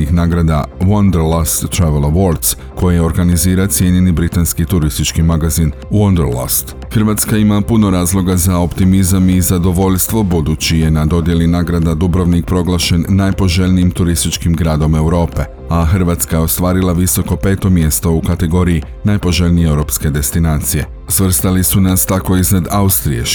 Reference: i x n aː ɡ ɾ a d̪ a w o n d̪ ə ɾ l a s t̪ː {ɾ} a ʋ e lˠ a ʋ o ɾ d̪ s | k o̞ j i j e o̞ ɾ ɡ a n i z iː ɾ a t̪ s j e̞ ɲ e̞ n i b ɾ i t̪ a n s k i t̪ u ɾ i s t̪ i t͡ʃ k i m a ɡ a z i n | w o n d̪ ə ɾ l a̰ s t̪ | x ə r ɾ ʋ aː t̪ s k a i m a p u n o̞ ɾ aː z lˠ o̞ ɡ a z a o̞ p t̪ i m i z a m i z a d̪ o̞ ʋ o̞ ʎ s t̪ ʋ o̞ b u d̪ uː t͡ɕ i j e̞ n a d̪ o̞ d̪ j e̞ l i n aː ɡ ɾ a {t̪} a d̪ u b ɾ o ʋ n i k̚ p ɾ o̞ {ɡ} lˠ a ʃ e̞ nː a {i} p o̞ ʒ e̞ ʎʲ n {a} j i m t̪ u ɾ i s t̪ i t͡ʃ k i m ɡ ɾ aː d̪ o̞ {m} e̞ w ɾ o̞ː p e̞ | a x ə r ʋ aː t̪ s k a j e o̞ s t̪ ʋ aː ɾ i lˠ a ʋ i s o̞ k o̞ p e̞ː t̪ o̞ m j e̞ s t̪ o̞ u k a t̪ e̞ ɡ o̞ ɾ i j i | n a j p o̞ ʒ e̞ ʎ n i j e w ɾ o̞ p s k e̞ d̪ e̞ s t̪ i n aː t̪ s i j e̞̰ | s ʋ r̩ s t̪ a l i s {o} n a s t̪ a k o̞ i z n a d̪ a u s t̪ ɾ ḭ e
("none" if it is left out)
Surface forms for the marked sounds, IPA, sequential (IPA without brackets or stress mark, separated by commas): ɾ, d̪, ɡ, j, i, m, u